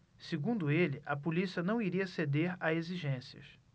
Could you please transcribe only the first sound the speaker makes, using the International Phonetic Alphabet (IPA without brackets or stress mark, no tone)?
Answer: s